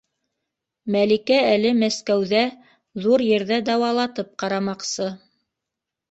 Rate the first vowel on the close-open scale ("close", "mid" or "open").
open